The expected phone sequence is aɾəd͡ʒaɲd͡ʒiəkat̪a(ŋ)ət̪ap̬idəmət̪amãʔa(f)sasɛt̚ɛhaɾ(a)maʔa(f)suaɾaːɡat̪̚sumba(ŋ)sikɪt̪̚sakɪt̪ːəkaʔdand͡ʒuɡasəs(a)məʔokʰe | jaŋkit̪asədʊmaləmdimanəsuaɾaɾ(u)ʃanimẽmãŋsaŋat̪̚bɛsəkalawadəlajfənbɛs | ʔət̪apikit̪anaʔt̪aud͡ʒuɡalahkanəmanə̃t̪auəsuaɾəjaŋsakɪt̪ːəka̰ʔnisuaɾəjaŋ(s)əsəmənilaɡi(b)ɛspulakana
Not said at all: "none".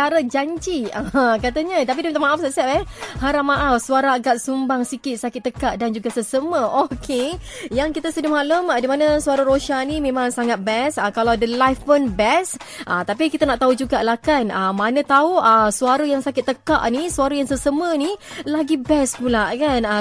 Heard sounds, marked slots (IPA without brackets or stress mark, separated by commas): ɲ, f, a, f, ŋ, ə, o, s, b